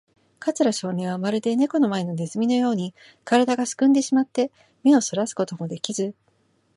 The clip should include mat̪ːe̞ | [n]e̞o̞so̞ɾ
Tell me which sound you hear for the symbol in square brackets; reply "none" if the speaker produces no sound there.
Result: m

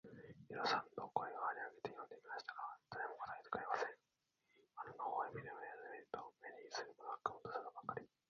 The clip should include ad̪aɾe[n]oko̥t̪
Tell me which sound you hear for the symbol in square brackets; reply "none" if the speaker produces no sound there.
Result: m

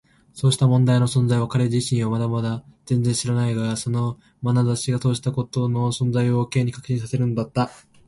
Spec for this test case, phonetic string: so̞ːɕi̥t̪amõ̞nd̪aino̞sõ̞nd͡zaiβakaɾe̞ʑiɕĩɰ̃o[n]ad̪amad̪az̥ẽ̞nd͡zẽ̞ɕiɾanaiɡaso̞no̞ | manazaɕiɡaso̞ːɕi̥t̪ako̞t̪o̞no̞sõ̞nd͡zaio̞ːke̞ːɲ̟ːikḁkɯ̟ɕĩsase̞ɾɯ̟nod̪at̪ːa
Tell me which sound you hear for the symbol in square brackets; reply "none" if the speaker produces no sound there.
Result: m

